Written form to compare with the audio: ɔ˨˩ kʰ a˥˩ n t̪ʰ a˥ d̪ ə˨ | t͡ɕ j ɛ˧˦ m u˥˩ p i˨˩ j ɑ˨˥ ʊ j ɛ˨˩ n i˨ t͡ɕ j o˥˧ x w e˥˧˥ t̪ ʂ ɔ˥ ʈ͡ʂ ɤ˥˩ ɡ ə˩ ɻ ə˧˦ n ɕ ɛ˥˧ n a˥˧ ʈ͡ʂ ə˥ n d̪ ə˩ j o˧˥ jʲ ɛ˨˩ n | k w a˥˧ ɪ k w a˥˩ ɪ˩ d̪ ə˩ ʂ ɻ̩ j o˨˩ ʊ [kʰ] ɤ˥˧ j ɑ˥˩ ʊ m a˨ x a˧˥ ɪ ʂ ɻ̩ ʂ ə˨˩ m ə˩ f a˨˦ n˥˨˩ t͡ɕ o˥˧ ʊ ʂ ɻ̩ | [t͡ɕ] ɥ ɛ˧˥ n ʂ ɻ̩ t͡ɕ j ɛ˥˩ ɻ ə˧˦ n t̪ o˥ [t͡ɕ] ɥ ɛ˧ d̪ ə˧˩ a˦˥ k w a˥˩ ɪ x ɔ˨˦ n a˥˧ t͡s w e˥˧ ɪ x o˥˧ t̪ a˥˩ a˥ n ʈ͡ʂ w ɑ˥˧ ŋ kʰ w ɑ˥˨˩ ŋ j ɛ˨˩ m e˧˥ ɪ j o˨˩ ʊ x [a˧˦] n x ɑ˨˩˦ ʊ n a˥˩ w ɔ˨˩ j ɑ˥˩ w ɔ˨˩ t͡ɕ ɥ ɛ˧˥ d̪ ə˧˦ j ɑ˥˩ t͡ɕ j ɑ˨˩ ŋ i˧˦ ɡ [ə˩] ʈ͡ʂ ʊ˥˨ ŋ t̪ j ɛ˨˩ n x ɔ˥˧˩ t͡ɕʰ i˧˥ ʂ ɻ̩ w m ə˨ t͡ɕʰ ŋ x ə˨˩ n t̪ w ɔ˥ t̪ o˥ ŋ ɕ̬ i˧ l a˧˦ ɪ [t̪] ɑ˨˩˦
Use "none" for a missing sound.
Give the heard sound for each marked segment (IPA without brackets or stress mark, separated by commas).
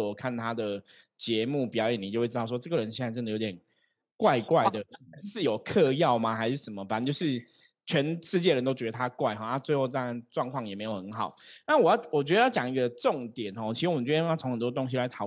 kʰ, t͡ɕʰ, t͡ɕ, ə˧˦, ə˧, t̪ʰ